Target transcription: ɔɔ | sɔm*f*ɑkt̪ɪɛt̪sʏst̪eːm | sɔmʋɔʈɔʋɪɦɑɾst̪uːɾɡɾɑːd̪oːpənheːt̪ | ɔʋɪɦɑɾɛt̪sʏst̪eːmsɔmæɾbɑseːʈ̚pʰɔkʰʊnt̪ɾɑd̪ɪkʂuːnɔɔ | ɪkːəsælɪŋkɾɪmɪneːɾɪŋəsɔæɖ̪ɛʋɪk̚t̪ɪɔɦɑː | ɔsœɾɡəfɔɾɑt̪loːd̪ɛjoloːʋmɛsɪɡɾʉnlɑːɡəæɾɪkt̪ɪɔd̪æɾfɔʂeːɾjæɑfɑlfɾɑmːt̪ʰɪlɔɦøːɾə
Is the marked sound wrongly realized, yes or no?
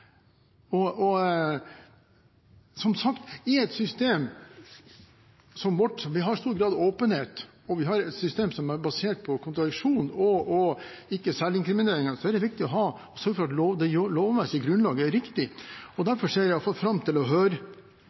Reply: yes